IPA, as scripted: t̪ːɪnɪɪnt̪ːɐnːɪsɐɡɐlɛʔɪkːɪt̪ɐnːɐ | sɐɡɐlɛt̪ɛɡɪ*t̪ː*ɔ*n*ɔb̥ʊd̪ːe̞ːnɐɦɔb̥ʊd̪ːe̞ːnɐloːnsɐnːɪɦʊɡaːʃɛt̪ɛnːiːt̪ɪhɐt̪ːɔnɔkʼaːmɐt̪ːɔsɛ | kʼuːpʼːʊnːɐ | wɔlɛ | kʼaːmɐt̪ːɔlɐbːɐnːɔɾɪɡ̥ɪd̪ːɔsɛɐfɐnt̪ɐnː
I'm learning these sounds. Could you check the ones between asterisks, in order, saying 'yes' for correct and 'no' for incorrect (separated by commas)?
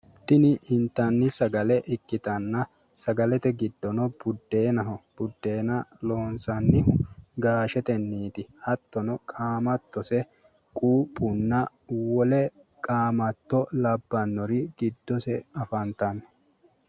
no, yes